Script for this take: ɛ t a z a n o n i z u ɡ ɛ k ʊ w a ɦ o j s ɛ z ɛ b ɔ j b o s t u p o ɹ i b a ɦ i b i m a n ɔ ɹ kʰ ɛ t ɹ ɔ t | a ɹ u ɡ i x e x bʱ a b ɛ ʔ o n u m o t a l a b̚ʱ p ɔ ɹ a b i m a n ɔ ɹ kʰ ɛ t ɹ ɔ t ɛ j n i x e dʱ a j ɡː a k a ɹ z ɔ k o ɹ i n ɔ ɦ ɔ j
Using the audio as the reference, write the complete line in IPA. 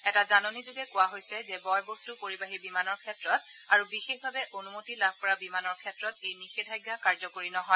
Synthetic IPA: ɛ t a z a n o n i z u ɡ ɛ k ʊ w a ɦ o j s ɛ z ɛ b ɔ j b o s t u p o ɹ i b a ɦ i b i m a n ɔ ɹ kʰ ɛ t ɹ ɔ t | a ɹ u b i x e x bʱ a b ɛ ʔ o n u m o t i l a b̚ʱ p ɔ ɹ a b i m a n ɔ ɹ kʰ ɛ t ɹ ɔ t e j n i x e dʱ a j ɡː a k a ɹ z ɔ k o ɹ i n ɔ ɦ ɔ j

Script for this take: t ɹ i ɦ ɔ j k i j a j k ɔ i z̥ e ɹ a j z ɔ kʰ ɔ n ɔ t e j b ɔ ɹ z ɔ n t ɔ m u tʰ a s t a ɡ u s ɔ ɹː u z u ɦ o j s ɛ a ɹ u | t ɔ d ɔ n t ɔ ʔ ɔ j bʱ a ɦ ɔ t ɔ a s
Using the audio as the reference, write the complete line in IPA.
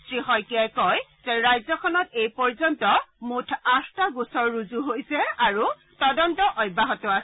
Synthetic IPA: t ɹ i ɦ ɔ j k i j a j k ɔ j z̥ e ɹ a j z ɔ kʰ ɔ n ɔ t e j p ɔ ɹ z ɔ n t ɔ m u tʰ a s t a ɡ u s ɔ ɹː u z u ɦ o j s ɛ a ɹ u | t ɔ d ɔ n t ɔ ʔ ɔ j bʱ a ɦ ɔ t ɔ a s

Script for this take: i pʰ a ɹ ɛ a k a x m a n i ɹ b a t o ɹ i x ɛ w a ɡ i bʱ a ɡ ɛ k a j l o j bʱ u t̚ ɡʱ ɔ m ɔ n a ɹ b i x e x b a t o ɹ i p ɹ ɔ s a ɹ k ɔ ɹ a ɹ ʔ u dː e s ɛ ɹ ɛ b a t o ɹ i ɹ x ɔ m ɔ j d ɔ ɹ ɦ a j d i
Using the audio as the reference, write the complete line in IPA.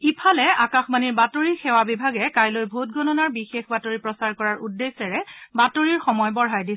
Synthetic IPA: i pʰ a l ɛ a k a x m a n i ɹ b a t o ɹ i x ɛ w a b i bʱ a ɡ ɛ k a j l o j bʱ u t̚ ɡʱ ɔ n ɔ n a ɹ b i x e x b a t o ɹ i p ɹ ɔ s a ɹ k ɔ ɹ a ɹ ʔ u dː e s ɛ ɹ ɛ b a t o ɹ i ɹ x ɔ m ɔ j b ɔ ɹ ɦ a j d i

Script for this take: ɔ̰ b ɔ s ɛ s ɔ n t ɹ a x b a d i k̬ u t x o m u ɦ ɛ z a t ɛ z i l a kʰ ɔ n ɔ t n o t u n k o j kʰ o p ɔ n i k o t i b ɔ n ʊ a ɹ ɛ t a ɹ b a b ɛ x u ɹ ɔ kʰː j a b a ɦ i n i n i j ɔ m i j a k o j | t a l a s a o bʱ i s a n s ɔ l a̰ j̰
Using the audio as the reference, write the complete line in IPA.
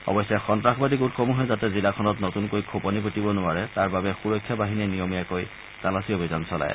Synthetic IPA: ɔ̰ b ɔ s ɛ x ɔ n t ɹ a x b a d i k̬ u t x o m u ɦ ɛ z a t ɛ z i l a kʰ ɔ n ɔ t n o t u n k o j kʰ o p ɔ n i p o t i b ɔ n ʊ a ɹ ɛ t a ɹ b a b ɛ x u ɹ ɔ kʰː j a b a ɦ i n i n i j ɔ m i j a k o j | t a l a s i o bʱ i z a n s ɔ l a̰ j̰

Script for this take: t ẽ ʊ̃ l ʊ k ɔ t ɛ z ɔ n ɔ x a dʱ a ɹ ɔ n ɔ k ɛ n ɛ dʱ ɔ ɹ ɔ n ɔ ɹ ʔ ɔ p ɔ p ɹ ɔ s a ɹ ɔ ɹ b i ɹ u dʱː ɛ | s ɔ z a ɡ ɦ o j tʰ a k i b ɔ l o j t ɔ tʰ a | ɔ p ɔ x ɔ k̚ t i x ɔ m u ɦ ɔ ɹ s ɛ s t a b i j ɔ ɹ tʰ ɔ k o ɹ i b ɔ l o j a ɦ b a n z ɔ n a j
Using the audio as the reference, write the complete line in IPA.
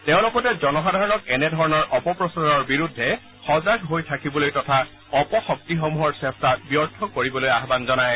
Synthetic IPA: t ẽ ʊ̃ l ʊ k ɔ t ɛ z ɔ n ɔ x a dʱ a ɹ ɔ n ɔ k ɛ n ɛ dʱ ɔ ɹ ɔ n ɔ ɹ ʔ ɔ p ɔ p ɹ ɔ s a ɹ ɔ ɹ b i ɹ u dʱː ɛ | x ɔ z a ɡ ɦ o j tʰ a k i b ɔ l o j t ɔ tʰ a | ɔ p ɔ x ɔ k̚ t i x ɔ m u ɦ ɔ ɹ s ɛ s t a b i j ɔ ɹ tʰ ɔ k o ɹ i b ɔ l o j a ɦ b a n z ɔ n a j

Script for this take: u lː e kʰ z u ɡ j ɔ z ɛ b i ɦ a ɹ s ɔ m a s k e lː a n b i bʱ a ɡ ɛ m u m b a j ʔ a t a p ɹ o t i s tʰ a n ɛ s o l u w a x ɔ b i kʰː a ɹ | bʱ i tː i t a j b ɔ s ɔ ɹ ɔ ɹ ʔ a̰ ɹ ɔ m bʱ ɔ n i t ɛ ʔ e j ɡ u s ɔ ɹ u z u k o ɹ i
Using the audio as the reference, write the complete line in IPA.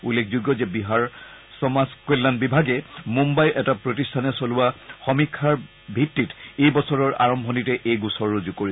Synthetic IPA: u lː e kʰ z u ɡ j ɔ z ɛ b i ɦ a ɹ s ɔ m a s k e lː a n b i bʱ a ɡ ɛ m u m b a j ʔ ɛ t a p ɹ o t i s tʰ a n ɛ s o l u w a x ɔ m i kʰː a ɹ | bʱ i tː i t e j b ɔ s ɔ ɹ ɔ ɹ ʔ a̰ ɹ ɔ m bʱ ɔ n i t ɛ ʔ e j ɡ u s ɔ ɹ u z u k o ɹ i

